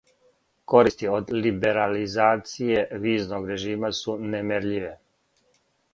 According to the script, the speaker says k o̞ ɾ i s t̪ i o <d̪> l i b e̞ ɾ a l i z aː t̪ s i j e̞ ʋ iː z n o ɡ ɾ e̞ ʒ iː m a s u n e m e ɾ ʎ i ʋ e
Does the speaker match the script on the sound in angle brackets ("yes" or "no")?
yes